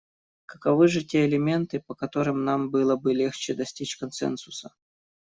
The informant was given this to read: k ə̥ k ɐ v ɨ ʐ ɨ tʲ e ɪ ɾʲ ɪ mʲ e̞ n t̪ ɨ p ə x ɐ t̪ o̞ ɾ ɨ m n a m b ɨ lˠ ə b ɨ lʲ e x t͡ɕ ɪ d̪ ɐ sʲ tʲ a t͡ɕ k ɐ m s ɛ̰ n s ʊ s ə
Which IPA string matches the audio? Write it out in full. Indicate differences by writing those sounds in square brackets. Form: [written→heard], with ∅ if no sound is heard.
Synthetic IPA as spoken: k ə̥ k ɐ v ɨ ʐ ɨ tʲ e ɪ [ɾʲ→lʲ] ɪ mʲ e̞ n t̪ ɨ p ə [x→k] ɐ t̪ o̞ ɾ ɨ m n a m b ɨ lˠ ə b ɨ lʲ e x t͡ɕ ɪ d̪ ɐ sʲ tʲ [a→i] t͡ɕ k ɐ [m→n] s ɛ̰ n s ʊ s ə